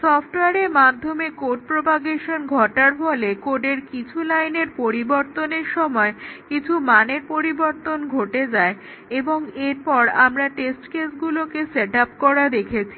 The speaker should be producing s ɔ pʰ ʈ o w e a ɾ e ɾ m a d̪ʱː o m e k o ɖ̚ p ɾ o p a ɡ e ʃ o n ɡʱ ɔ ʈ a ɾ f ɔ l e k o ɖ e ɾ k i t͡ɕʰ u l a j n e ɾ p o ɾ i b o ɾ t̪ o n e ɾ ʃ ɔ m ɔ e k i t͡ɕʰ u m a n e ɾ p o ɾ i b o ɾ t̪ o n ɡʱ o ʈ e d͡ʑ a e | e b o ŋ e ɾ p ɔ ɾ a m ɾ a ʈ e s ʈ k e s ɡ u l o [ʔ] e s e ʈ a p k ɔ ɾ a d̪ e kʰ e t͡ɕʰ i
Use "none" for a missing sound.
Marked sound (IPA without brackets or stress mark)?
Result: k